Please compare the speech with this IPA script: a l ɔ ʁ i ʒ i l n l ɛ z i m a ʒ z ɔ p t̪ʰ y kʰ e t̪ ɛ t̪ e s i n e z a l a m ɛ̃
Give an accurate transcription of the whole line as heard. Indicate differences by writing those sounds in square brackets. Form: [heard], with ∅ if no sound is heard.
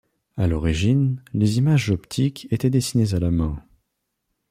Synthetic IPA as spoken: a l ɔ ʁ i ʒ i [∅] n l [e] z i m a ʒ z ɔ p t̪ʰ [i] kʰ e t̪ ɛ [d̪] e s i n e z a l a m ɛ̃